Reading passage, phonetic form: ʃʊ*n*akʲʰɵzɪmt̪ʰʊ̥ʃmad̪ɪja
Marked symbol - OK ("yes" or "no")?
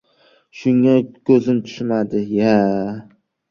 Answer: no